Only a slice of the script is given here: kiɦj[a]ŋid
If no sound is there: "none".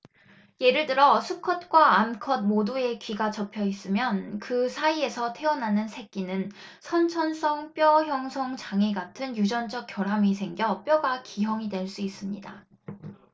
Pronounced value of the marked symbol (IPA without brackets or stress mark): ʌ